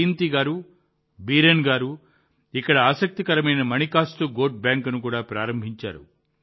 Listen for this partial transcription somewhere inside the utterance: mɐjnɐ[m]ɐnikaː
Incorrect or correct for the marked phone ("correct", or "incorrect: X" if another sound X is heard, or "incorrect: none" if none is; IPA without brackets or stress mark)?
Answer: correct